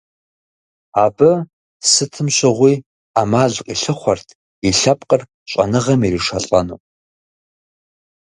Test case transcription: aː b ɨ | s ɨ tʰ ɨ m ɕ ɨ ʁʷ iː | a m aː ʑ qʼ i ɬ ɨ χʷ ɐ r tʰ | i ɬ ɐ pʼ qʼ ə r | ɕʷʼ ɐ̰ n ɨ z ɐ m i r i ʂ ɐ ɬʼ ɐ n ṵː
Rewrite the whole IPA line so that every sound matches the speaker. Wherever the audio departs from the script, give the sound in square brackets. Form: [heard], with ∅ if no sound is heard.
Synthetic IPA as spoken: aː b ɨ | s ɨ tʰ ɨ m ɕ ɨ ʁʷ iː | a m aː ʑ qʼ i ɬ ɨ χʷ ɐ r tʰ | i ɬ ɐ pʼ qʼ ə r | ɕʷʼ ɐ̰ n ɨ [ʁ] ɐ m i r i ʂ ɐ ɬʼ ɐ n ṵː